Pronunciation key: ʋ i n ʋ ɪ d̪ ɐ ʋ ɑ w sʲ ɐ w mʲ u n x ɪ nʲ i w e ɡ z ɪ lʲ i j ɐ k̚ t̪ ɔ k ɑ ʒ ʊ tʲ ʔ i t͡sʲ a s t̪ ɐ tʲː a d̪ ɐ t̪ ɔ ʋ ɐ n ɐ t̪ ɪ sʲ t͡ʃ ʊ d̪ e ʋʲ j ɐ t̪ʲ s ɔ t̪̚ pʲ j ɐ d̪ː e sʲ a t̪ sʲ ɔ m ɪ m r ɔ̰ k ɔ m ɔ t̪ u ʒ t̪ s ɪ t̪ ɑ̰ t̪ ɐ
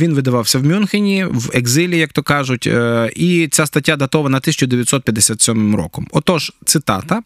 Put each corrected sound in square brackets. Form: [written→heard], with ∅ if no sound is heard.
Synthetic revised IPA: ʋ i n ʋ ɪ d̪ ɐ ʋ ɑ w sʲ ɐ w mʲ u n x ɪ nʲ i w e ɡ z ɪ lʲ i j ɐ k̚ t̪ ɔ k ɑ ʒ ʊ tʲ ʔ i t͡sʲ a s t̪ ɐ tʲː a d̪ ɐ t̪ ɔ ʋ ɐ n ɐ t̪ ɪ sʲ t͡ʃ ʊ d̪ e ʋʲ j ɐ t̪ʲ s ɔ t̪̚ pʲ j ɐ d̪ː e sʲ a t̪ sʲ ɔ m ɪ m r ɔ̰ k ɔ m ɔ t̪ [u→ɔ] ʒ t̪ s ɪ t̪ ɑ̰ t̪ ɐ